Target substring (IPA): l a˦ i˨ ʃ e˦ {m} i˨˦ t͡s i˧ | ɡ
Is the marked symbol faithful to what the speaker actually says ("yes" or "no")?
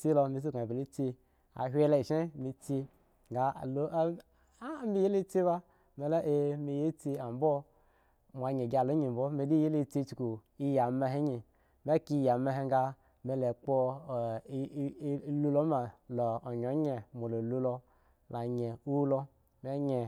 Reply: yes